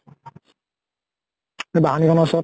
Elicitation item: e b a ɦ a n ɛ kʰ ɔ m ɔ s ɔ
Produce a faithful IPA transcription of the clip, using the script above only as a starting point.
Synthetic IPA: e b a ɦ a n i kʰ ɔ n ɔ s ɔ